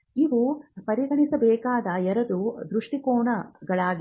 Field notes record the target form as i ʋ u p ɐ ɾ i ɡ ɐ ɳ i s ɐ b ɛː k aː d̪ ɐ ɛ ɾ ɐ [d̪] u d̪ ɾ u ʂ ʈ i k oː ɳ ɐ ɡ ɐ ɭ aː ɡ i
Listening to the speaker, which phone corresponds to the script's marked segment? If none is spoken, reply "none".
d̪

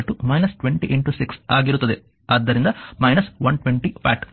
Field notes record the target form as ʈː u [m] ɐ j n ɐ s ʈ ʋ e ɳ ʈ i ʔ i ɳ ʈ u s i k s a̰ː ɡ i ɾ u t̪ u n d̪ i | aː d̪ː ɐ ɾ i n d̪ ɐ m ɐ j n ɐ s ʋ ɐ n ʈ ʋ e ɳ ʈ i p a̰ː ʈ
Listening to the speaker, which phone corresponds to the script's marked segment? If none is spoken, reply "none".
m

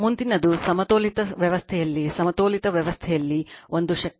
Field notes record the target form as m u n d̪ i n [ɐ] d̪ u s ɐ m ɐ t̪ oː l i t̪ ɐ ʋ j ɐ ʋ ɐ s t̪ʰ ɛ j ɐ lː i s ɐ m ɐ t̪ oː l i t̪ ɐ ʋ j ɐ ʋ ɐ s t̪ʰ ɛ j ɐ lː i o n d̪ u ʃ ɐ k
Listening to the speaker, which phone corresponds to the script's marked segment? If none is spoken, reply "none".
ɐ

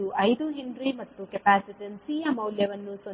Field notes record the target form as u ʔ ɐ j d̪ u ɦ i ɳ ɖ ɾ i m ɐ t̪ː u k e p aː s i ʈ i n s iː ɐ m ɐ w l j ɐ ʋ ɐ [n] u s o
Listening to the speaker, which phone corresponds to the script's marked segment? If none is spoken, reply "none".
nː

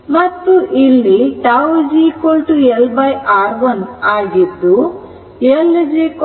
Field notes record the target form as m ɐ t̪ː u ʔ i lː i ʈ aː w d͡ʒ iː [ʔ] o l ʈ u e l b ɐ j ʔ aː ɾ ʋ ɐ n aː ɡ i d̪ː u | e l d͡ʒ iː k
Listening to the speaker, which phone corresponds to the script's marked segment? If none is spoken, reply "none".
k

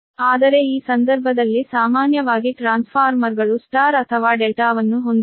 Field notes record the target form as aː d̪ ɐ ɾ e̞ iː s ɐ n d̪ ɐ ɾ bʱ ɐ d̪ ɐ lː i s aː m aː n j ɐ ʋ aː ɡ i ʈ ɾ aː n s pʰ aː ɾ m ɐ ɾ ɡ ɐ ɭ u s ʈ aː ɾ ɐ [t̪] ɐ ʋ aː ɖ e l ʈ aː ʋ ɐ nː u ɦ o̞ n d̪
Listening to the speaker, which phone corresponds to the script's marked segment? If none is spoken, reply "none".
t̪ʰ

